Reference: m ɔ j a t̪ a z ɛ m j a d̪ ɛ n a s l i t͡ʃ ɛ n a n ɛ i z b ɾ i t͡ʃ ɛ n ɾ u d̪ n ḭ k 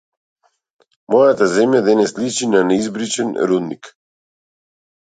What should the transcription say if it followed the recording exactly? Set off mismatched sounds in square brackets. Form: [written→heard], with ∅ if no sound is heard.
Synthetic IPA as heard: m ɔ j a t̪ a z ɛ m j a d̪ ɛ n [a→ɛ] s l i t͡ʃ [ɛ→i] n a n ɛ i z b ɾ i t͡ʃ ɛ n ɾ u d̪ n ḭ k